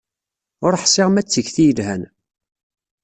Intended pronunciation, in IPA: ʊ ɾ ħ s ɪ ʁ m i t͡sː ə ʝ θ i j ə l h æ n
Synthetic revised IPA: ʊ ɾ ħ s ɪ ʁ m æ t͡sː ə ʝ θ i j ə l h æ n